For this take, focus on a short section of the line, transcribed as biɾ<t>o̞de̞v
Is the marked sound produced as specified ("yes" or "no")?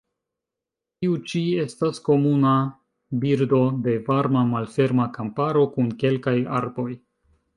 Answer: no